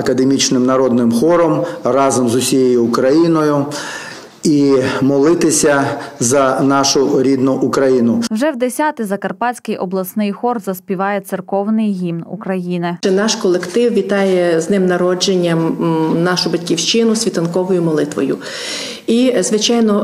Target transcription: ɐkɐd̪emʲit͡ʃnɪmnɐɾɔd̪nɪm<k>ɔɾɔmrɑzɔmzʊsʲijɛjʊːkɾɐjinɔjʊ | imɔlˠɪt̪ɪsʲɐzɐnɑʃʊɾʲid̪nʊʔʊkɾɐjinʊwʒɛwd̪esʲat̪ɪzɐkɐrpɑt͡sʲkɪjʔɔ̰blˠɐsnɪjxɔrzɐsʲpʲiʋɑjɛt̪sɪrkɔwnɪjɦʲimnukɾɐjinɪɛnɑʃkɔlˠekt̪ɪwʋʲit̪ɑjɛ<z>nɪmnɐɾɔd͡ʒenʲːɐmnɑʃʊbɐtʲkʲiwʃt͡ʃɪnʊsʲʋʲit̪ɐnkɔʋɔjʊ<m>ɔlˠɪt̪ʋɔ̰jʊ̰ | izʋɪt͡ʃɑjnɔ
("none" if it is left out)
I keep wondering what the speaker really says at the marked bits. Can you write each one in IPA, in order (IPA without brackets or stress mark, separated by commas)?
x, z, m